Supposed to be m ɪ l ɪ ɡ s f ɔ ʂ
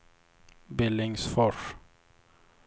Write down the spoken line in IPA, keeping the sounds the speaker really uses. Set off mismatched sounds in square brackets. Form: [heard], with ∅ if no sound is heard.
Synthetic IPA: [b] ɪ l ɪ [ŋ] s f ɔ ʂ